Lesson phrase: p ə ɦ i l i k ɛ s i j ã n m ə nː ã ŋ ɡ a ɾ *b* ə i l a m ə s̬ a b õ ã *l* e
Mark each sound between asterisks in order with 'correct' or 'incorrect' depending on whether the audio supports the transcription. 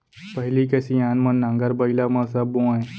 correct, incorrect: none

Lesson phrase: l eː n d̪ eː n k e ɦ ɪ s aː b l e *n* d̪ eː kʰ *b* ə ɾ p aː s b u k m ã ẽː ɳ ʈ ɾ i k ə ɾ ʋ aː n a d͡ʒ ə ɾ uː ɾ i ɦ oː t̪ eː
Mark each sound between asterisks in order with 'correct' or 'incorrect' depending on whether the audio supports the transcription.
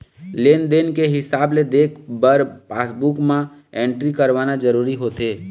incorrect: none, correct

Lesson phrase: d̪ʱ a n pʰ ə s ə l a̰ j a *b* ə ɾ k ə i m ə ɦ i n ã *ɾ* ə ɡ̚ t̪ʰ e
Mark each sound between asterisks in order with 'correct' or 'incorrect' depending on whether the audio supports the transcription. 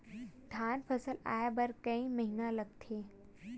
correct, incorrect: l

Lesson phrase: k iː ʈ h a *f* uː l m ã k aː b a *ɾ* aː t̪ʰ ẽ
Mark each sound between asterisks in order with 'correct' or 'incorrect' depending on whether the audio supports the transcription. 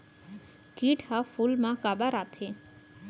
correct, correct

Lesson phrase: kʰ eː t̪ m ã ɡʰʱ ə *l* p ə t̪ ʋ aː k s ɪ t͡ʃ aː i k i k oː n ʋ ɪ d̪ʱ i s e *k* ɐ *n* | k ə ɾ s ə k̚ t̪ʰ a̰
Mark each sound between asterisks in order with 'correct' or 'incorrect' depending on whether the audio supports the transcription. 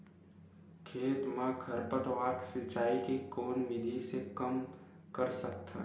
incorrect: ɾ, correct, incorrect: m

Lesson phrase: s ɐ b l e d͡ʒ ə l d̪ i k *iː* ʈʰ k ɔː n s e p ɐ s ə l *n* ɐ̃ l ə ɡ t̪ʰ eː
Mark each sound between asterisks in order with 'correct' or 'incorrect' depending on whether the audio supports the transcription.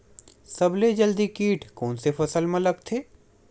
correct, incorrect: m

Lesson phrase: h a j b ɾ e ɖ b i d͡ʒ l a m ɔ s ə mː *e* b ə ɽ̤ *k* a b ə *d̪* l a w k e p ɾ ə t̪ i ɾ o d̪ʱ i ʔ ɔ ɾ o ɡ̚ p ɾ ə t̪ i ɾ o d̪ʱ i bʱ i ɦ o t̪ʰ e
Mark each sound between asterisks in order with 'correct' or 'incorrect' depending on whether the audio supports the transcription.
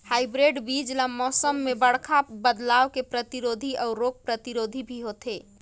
correct, incorrect: kʰ, correct

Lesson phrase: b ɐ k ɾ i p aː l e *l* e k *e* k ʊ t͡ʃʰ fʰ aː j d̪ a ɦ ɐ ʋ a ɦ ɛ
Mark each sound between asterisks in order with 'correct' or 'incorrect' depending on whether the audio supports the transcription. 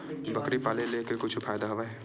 correct, correct

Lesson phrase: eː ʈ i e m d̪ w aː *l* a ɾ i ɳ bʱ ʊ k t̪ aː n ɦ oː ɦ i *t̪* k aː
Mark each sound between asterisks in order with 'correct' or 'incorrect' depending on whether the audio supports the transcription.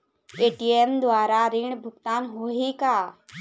incorrect: ɾ, incorrect: none

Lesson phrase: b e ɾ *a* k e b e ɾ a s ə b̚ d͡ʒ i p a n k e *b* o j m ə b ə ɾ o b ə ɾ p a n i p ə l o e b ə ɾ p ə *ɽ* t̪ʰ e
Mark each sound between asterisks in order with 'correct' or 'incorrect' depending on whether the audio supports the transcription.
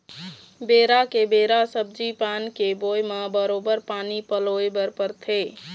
correct, correct, incorrect: ɾ

